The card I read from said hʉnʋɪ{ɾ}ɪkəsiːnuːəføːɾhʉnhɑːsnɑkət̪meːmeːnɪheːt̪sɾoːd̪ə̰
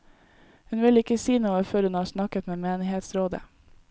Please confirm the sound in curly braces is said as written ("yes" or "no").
no